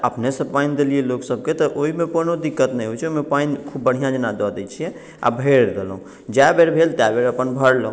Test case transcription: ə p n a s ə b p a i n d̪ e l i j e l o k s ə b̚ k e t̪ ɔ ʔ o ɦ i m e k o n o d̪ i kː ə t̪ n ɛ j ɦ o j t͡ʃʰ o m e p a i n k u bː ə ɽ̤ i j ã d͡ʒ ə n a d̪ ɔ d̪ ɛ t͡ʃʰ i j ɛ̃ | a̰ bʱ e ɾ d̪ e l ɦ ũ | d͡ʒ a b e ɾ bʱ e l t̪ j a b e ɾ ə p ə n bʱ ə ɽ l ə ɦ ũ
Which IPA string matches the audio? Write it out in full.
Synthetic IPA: ə p n e s ə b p a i n d̪ e l i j e l o k s ə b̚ k e t̪ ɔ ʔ o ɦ i m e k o n o d̪ i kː ə t̪ n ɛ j ɦ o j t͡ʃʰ o m e p a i n kʰ u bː ə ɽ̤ i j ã d͡ʒ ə n a d̪ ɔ d̪ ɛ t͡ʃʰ i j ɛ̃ | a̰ bʱ e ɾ d̪ e l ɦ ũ | d͡ʒ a b e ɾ bʱ e l t̪ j a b e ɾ ə p ə n bʱ ə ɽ l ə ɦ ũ